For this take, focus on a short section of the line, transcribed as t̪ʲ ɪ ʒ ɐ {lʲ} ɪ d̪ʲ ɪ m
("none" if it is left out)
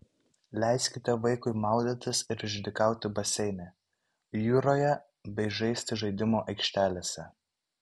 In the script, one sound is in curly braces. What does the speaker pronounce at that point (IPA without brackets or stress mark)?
none